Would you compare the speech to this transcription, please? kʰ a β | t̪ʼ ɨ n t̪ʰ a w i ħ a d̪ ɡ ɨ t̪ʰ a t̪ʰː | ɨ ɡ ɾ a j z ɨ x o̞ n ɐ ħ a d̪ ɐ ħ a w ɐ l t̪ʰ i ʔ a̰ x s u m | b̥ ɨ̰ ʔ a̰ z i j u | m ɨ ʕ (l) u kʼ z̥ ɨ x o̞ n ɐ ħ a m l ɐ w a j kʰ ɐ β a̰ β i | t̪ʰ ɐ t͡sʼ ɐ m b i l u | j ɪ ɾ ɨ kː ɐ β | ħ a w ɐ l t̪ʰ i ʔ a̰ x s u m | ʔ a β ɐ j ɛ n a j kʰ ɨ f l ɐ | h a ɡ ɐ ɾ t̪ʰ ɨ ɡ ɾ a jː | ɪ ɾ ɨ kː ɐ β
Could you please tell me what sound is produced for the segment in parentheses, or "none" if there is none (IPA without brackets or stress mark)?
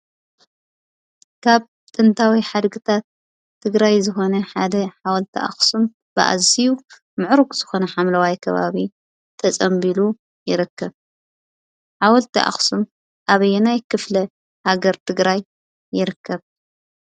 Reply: ɾ